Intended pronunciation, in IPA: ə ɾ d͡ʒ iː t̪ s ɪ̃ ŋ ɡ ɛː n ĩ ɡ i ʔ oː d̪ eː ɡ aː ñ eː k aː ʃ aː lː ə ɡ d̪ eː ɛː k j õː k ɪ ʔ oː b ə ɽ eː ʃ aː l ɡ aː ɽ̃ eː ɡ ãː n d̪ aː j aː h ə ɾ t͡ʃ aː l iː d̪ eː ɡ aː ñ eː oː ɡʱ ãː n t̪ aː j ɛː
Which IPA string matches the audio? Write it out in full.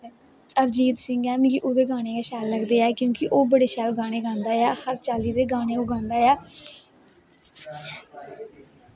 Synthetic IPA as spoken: ə ɾ d͡ʒ iː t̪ s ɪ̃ ŋ ɡ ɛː m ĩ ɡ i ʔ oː d̪ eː ɡ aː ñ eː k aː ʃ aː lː ə ɡ d̪ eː ɛː k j õː k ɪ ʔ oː b ə ɽ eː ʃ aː l ɡ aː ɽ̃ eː ɡ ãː n d̪ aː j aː h ə ɾ t͡ʃ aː l iː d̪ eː ɡ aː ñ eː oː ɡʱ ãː n d̪ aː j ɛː